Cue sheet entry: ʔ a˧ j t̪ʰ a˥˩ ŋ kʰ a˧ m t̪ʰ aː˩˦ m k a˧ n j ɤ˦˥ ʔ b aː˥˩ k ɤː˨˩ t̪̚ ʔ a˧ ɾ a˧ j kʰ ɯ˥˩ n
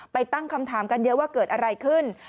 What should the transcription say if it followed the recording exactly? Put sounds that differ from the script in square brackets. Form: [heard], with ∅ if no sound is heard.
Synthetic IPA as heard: [p] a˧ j [t̪] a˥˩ ŋ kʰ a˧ m t̪ʰ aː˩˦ m k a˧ n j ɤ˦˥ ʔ [w] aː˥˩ k ɤː˨˩ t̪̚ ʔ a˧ ɾ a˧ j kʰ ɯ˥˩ n